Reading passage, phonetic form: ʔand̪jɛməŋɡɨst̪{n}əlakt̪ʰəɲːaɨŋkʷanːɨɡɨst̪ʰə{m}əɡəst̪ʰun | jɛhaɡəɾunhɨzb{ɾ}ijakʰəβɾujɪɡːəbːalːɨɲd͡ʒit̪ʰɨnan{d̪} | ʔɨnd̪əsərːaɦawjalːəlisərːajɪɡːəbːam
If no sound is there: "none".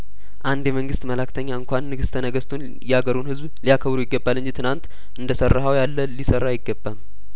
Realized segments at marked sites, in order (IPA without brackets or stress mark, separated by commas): m, n, l, t̪